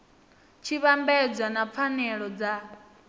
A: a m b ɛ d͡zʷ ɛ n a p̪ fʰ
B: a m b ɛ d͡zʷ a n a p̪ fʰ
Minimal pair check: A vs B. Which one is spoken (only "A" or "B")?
B